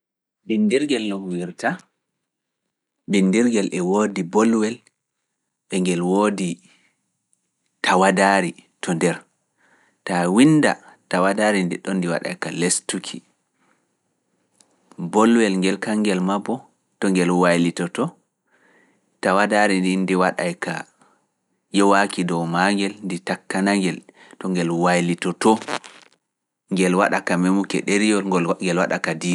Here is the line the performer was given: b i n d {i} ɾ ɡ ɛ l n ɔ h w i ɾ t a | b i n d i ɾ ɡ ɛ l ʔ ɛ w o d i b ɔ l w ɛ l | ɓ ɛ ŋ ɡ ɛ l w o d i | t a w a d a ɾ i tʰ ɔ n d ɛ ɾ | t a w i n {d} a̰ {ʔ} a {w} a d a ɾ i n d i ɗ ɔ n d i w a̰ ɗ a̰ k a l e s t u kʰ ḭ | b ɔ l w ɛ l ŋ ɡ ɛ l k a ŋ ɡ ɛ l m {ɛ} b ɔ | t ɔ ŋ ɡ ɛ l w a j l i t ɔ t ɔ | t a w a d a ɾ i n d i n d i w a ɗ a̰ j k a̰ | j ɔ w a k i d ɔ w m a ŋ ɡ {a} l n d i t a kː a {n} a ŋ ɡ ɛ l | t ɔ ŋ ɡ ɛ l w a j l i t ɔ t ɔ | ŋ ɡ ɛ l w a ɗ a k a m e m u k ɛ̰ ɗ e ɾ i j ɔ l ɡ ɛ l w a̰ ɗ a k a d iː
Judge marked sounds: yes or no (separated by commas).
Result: yes, yes, no, yes, no, no, yes